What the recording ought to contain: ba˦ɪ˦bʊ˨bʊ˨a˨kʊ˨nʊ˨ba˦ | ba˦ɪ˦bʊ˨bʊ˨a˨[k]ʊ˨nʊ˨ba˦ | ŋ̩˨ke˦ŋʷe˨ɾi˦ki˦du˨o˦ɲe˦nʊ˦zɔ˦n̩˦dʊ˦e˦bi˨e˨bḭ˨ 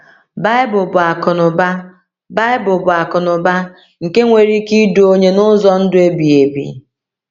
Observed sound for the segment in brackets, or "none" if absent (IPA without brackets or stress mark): k